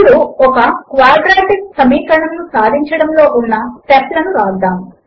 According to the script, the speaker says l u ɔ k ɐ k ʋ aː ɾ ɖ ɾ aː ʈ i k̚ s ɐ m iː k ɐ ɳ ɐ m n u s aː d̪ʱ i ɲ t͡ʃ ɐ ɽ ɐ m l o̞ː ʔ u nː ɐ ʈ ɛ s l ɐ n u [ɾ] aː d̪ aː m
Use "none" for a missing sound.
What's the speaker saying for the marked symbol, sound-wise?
ɾ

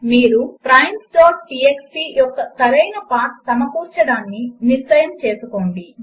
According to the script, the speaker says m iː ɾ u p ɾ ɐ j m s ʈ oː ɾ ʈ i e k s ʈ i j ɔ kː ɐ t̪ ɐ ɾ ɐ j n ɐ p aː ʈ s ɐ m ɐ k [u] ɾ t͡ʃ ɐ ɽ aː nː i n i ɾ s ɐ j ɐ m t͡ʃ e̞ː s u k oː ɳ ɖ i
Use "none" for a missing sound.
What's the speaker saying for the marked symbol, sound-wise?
uː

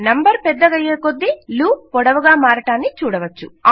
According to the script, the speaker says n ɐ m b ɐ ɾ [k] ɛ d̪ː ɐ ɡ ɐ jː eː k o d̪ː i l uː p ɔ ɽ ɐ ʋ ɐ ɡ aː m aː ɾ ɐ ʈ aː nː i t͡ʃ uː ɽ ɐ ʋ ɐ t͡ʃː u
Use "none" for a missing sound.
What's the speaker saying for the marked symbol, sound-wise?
p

